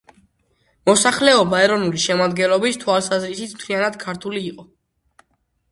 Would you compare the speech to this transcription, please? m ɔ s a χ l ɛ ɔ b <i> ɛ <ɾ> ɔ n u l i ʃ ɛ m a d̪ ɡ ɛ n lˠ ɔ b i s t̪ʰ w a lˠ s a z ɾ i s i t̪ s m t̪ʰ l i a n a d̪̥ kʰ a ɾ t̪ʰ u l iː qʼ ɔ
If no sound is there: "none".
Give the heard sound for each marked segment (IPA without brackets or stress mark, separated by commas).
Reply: a, ɾ